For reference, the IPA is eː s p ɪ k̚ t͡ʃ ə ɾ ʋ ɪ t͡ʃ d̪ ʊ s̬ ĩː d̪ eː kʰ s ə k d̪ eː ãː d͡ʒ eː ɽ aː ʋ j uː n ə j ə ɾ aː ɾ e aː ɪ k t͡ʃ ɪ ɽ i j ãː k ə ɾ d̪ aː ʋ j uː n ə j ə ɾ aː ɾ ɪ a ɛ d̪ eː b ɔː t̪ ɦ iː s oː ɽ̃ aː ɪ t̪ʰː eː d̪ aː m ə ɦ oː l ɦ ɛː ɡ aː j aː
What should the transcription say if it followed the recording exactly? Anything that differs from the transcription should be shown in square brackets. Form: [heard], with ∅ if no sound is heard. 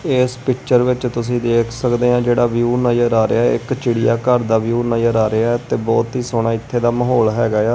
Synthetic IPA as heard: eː s p ɪ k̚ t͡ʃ ə ɾ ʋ ɪ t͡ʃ [t̪] ʊ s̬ ĩː d̪ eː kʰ s ə k d̪ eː ãː d͡ʒ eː ɽ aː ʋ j uː n ə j ə ɾ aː ɾ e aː ɪ k t͡ʃ ɪ ɽ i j [aː] k ə ɾ d̪ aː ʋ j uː n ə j ə ɾ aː ɾ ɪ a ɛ [t̪] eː b ɔː t̪ ɦ iː s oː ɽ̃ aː ɪ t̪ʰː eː d̪ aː m ə ɦ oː l ɦ ɛː ɡ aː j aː